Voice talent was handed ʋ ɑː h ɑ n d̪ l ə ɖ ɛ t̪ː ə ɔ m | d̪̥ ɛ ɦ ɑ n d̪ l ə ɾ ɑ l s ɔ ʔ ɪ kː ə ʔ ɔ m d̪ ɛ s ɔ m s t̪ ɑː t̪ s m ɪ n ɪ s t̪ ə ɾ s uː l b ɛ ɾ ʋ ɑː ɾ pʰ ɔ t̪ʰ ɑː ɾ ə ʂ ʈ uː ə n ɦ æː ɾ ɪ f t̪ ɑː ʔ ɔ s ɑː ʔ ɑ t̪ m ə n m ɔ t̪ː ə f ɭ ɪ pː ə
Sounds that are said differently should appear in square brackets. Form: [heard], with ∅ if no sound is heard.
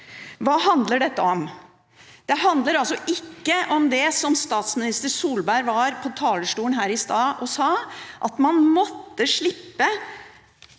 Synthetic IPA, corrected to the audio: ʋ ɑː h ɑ n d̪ l ə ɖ ɛ t̪ː ə ɔ m | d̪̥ ɛ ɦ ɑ n d̪ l ə ɾ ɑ l s ɔ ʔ ɪ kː ə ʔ ɔ m d̪ ɛ s ɔ m s t̪ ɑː t̪ s m ɪ n ɪ s t̪ ə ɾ s uː l b [æ] ɾ ʋ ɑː ɾ pʰ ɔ t̪ʰ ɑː [l] ə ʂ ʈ uː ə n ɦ æː ɾ ɪ [s] t̪ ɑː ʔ ɔ s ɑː ʔ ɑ t̪ m [ɑ] n m ɔ t̪ː ə [ʂ] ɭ ɪ pː ə

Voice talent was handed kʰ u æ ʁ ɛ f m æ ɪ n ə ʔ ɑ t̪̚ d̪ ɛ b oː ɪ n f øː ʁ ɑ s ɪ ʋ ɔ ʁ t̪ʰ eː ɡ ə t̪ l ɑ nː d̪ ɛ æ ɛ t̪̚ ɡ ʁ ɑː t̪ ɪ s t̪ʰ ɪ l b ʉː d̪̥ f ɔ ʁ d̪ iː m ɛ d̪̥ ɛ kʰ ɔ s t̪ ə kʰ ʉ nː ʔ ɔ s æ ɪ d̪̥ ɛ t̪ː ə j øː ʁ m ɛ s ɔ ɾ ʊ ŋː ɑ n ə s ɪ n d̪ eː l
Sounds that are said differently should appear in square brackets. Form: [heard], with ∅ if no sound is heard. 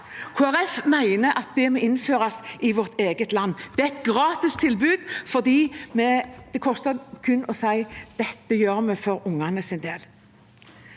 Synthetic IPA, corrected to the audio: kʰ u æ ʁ ɛ f m æ ɪ n ə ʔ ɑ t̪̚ d̪ ɛ [m] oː ɪ n f øː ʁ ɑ s ɪ ʋ ɔ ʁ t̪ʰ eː ɡ ə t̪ l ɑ nː d̪ ɛ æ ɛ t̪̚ ɡ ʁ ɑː t̪ ɪ s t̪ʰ ɪ l b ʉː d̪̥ f ɔ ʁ d̪ iː m ɛ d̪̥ ɛ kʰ ɔ s t̪ ə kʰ ʉ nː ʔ ɔ s æ ɪ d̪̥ ɛ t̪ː ə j øː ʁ m ɛ [f] ɔ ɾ ʊ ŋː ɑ n ə s ɪ n d̪ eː l

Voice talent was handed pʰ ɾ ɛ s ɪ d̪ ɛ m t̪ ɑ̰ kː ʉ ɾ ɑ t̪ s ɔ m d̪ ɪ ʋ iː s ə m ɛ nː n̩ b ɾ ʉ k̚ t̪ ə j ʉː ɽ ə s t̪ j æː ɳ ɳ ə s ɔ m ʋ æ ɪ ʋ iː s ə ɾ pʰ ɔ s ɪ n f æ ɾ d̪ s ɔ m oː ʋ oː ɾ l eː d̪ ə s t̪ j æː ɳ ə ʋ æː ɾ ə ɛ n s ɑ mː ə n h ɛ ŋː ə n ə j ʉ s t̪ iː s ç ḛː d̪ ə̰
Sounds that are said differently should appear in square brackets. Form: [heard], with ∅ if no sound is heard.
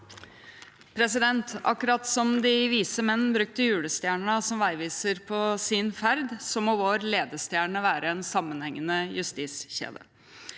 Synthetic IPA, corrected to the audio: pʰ ɾ ɛ s ɪ d̪ ɛ [n] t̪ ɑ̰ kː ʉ ɾ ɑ t̪ s ɔ m d̪ ɪ ʋ iː s ə m ɛ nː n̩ b ɾ ʉ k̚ t̪ ə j ʉː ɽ ə s t̪ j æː ɳ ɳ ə s ɔ m ʋ æ ɪ ʋ iː s ə ɾ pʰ ɔ s ɪ n f æ ɾ d̪ s ɔ m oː ʋ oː ɾ l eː d̪ ə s t̪ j æː ɳ ə ʋ æː ɾ ə ɛ n s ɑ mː ə n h ɛ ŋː ə n ə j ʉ s t̪ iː s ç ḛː d̪ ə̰

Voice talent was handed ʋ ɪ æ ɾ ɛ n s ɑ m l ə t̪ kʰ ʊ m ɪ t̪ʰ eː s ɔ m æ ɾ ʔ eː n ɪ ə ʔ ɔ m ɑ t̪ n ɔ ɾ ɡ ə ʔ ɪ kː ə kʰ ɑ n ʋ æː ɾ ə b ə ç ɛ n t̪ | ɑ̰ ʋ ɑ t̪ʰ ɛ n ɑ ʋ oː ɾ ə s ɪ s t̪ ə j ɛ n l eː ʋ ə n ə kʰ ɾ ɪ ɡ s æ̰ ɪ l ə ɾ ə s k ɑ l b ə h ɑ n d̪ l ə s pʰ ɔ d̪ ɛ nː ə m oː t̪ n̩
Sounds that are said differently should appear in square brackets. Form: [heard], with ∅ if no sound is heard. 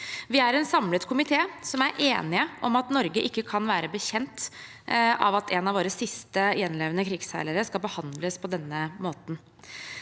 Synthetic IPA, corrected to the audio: ʋ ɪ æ ɾ ɛ n s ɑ m l ə t̪ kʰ ʊ m ɪ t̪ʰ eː s ɔ m æ ɾ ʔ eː n ɪ ə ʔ ɔ m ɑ t̪ n ɔ ɾ ɡ ə ʔ ɪ kː ə kʰ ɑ n ʋ æː ɾ ə b ə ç ɛ n t̪ | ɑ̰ ʋ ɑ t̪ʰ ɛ n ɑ ʋ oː ɾ ə s ɪ s t̪ ə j ɛ n l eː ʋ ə n ə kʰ ɾ ɪ ɡ s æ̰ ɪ l ə ɾ ə s k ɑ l b ə h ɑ n d̪ l ə s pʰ ɔ d̪ ɛ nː ə m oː t̪ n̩

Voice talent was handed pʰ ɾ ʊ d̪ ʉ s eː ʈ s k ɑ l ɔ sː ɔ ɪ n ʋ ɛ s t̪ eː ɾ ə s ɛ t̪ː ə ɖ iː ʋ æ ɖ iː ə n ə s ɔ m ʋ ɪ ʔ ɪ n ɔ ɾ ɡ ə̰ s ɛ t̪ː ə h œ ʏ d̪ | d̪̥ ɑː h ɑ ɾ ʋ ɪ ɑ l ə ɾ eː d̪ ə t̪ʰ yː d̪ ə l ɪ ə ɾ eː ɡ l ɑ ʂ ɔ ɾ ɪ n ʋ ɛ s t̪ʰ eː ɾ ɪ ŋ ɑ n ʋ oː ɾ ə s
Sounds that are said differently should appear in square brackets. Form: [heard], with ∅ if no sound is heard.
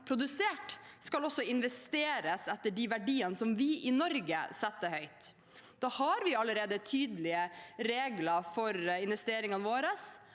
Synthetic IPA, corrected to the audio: pʰ ɾ ʊ d̪ ʉ s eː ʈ s k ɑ l ɔ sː ɔ ɪ n ʋ ɛ s t̪ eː ɾ ə s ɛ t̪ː ə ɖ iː ʋ æ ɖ iː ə n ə s ɔ m ʋ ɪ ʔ ɪ n ɔ ɾ ɡ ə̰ s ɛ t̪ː ə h œ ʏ [t̪] | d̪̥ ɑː h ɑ ɾ ʋ ɪ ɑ l ə ɾ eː d̪ ə t̪ʰ yː d̪ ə l ɪ ə ɾ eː ɡ l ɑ [f] ɔ ɾ ɪ n ʋ ɛ s [t̪] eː ɾ ɪ ŋ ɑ n ʋ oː ɾ ə s

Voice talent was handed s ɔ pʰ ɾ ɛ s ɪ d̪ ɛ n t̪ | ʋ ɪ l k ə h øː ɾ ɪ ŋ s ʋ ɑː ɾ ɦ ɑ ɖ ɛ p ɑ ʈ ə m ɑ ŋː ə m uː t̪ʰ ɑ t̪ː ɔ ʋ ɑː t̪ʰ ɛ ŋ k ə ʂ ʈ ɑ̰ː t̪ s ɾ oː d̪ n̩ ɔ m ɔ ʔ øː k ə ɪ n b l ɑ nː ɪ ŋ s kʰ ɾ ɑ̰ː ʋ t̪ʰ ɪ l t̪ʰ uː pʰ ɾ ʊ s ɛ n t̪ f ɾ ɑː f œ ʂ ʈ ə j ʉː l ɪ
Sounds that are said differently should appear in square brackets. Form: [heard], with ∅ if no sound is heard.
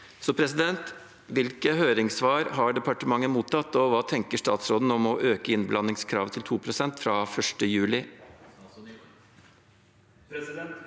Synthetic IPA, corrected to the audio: s ɔ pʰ ɾ ɛ s ɪ d̪ ɛ n t̪ | ʋ ɪ l k ə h øː ɾ ɪ ŋ s ʋ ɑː ɾ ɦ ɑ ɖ ɛ p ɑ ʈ ə m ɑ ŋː ə m uː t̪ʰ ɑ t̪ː ɔ ʋ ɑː t̪ʰ ɛ ŋ k ə ʂ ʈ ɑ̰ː t̪ s ɾ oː d̪ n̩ ɔ m ɔ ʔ øː k ə ɪ n b l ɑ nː ɪ ŋ s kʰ ɾ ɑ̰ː ʋ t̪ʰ ɪ l t̪ʰ uː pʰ ɾ ʊ s ɛ n t̪ f ɾ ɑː f œ ʂ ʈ ə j ʉː l ɪ

